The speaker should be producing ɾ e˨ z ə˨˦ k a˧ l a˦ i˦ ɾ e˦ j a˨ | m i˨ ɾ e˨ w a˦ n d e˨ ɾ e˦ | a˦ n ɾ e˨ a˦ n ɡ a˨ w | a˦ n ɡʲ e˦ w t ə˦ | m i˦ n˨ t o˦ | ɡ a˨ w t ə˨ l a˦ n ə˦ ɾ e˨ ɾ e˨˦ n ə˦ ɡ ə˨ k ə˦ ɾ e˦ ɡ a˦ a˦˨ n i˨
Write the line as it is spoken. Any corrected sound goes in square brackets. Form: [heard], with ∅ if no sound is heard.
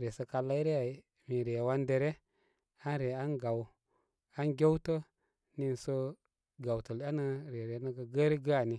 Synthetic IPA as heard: ɾ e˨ [s] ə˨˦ k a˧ l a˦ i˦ ɾ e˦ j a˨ | m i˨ ɾ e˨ w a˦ n d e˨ ɾ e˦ | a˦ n ɾ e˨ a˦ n ɡ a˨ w | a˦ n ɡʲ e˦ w t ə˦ | [n] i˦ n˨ [s] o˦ | ɡ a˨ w t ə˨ l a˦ n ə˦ ɾ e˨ ɾ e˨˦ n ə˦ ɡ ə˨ [ɡ] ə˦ ɾ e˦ ɡ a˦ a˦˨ n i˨